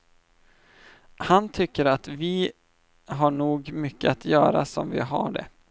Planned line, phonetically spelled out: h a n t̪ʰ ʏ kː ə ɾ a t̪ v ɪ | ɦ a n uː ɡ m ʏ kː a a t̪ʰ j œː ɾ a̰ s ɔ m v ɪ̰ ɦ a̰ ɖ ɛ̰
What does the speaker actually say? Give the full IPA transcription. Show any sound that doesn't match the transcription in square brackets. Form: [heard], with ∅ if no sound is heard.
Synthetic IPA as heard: h a n t̪ʰ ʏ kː ə ɾ a t̪ v ɪ | ɦ a [ɳ] uː ɡ m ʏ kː [ə] a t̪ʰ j œː ɾ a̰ s ɔ m v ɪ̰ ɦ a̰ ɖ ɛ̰

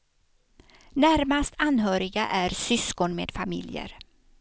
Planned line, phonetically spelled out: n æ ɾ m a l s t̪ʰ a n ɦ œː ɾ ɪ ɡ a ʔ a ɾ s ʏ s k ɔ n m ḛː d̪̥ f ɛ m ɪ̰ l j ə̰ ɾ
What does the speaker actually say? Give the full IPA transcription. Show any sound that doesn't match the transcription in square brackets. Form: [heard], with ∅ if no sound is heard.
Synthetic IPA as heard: n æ ɾ m a [∅] s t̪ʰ a n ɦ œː ɾ ɪ ɡ a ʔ [æ] ɾ s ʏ s k ɔ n m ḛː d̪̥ f [a] m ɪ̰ l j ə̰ ɾ

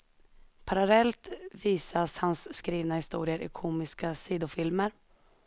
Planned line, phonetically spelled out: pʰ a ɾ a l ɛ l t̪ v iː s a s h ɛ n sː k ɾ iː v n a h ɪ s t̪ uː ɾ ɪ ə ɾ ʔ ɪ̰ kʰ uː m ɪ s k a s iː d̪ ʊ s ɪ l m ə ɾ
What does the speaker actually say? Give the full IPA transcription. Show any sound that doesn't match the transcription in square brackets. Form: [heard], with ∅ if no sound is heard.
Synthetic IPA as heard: pʰ a ɾ a l ɛ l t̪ v iː s a s h [a] n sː k ɾ iː v n a h ɪ s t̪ uː ɾ ɪ ə ɾ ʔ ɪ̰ kʰ uː m ɪ s k a s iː d̪ ʊ [f] ɪ l m ə ɾ

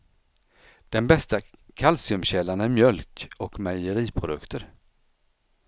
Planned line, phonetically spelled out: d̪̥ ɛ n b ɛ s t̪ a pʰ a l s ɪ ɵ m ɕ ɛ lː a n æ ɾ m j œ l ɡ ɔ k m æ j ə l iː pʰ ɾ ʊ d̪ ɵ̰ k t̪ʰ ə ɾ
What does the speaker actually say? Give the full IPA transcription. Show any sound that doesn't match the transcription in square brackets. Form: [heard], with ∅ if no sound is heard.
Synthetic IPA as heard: d̪̥ ɛ n b ɛ s t̪ a [kʰ] a l s ɪ ɵ m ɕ ɛ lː a n æ ɾ m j œ l [k] ɔ k m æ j ə [ɾ] iː pʰ ɾ ʊ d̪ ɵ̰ k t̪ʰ ə ɾ

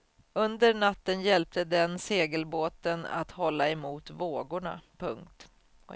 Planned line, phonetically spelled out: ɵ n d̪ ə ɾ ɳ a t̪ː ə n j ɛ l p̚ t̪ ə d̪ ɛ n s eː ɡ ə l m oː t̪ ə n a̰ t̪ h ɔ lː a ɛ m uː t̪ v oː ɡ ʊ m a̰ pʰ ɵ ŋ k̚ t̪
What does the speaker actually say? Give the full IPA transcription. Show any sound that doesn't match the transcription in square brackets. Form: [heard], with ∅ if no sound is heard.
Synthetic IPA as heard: ɵ n d̪ ə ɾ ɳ a t̪ː ə n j ɛ l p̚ t̪ ə d̪ ɛ n s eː ɡ ə l [b] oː t̪ ə n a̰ t̪ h ɔ lː a ɛ m uː t̪ v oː ɡ ʊ [ɳ] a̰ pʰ ɵ ŋ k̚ t̪

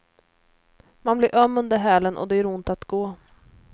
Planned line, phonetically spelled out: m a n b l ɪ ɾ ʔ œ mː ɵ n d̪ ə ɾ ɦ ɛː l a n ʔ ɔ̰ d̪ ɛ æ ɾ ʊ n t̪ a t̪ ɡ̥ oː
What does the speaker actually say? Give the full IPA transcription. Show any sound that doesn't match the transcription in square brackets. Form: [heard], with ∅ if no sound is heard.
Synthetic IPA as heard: m a n b l ɪ ɾ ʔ œ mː ɵ n d̪ ə ɾ ɦ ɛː l [ə] n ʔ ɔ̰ d̪ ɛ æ ɾ ʊ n t̪ a t̪ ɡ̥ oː

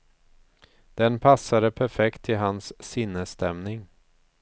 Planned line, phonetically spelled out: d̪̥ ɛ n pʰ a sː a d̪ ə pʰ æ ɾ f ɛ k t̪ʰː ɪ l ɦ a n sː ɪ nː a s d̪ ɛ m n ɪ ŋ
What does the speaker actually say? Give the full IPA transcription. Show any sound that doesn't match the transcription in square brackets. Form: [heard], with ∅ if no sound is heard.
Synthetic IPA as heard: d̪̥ ɛ n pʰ a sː a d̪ ə pʰ æ ɾ f ɛ k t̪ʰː ɪ l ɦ a n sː ɪ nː [ə] s [t̪] ɛ m n ɪ ŋ

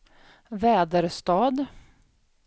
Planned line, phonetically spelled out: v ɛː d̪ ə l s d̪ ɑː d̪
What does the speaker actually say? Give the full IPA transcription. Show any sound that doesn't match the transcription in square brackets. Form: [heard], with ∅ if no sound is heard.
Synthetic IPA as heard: v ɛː d̪ ə [ɾ] s [t̪] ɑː d̪

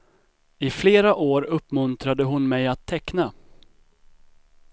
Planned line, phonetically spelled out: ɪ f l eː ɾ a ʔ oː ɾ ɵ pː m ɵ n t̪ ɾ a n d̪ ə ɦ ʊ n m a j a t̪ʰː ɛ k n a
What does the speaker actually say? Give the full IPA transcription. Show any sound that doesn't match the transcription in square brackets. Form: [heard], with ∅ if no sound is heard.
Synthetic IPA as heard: ɪ f l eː ɾ a ʔ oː ɾ ɵ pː m ɵ n t̪ ɾ a [∅] d̪ ə ɦ ʊ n m [ɛ] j a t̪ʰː ɛ k n a

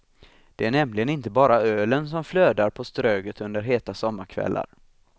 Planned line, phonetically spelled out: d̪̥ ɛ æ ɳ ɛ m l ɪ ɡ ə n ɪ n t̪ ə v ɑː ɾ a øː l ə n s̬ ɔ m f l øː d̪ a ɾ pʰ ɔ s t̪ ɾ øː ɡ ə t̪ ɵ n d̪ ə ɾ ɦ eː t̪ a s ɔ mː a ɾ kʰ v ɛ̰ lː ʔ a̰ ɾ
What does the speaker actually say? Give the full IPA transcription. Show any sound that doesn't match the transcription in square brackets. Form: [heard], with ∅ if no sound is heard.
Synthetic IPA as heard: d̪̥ ɛ æ ɳ ɛ m l ɪ ɡ ə n ɪ n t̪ ə [b] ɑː ɾ a øː l ə n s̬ ɔ m f l øː d̪ a ɾ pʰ ɔ s t̪ ɾ øː ɡ ə t̪ ɵ n d̪ ə ɾ ɦ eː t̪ a s ɔ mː a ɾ kʰ v ɛ̰ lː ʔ a̰ ɾ

